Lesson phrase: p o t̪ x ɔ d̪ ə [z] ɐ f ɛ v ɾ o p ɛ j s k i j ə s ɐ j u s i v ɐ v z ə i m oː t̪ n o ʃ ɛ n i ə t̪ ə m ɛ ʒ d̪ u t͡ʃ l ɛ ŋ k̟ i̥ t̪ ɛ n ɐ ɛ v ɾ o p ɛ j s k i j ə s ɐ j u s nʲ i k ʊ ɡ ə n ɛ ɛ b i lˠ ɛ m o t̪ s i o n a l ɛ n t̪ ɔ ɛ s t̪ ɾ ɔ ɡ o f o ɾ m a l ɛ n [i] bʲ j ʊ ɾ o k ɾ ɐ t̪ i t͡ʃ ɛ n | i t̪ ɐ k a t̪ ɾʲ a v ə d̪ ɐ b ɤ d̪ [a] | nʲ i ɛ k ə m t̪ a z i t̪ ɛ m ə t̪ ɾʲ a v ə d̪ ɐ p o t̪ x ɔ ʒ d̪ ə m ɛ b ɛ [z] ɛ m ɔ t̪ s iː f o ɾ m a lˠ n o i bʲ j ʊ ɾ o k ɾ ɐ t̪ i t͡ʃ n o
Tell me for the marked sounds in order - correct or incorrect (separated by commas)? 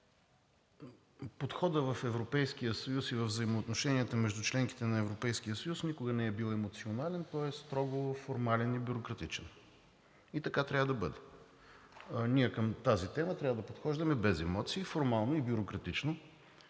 incorrect, correct, incorrect, correct